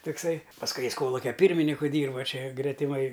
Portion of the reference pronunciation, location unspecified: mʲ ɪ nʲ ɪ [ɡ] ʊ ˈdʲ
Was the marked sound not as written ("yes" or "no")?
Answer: yes